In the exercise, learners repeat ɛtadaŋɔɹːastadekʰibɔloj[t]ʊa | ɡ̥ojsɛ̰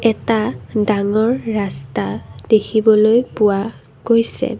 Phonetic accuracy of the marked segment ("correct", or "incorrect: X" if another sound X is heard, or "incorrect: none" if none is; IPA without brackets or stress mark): incorrect: p